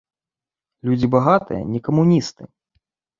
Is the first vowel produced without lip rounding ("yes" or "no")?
no